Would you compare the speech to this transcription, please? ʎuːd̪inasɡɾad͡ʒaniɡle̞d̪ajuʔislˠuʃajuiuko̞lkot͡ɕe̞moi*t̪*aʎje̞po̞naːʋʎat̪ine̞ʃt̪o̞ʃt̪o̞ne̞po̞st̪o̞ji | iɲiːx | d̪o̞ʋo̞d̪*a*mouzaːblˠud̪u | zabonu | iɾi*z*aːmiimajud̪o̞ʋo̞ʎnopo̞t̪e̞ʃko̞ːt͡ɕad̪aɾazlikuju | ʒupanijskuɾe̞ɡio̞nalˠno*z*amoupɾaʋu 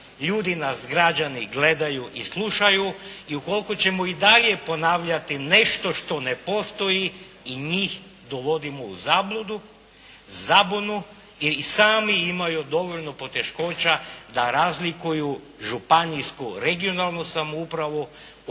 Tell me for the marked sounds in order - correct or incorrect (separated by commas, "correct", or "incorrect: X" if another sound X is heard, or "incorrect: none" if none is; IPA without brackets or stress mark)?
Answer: incorrect: d̪, incorrect: i, incorrect: s, incorrect: s